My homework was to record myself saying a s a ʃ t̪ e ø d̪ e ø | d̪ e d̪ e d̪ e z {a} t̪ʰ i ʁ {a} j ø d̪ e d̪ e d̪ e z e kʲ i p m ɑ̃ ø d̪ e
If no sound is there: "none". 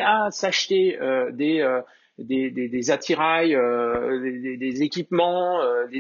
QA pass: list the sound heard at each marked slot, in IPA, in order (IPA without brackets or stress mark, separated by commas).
a, a